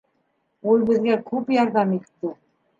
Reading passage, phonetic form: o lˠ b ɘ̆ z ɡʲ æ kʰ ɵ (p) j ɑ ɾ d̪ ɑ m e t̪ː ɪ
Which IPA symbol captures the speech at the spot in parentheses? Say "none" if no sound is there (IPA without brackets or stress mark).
p